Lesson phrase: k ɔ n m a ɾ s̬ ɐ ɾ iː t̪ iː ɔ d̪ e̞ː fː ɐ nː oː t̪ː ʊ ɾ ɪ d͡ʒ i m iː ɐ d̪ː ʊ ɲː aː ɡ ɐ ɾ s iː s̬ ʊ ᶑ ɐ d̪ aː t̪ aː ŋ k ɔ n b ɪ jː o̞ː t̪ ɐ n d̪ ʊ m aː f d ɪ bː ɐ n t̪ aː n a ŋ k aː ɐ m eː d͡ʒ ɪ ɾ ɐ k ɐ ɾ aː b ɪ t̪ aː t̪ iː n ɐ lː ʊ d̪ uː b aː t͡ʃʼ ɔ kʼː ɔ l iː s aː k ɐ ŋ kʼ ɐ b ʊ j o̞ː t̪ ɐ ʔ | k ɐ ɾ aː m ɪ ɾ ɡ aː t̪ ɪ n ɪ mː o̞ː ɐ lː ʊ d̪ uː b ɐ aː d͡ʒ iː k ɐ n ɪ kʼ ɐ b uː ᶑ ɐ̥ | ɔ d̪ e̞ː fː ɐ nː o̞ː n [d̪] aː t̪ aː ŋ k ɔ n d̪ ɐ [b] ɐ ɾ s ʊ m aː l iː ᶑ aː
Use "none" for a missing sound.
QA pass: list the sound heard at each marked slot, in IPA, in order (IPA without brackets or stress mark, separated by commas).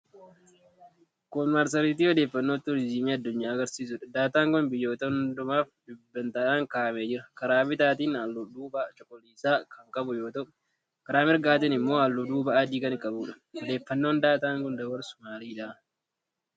d̪, w